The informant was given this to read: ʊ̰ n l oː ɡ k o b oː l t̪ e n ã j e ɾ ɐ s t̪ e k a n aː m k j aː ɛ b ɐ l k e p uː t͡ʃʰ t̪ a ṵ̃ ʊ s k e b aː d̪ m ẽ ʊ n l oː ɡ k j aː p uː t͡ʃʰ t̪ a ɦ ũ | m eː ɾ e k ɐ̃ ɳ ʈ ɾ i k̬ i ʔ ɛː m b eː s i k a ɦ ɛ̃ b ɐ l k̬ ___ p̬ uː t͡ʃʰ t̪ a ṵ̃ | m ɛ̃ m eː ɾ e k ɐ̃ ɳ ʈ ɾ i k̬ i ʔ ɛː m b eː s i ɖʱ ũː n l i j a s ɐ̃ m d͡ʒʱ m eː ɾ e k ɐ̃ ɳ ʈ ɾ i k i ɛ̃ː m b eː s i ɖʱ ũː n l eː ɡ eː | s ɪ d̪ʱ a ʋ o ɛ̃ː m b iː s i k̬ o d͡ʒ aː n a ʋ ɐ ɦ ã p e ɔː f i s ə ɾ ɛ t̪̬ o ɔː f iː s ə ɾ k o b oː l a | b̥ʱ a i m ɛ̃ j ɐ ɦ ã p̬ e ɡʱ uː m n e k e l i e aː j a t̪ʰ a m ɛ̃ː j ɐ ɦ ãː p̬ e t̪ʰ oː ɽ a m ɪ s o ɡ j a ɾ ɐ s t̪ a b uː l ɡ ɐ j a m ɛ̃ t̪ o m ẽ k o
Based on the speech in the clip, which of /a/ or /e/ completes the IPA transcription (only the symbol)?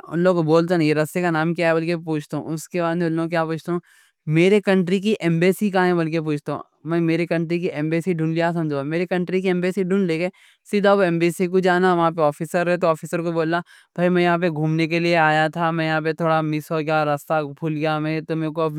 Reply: e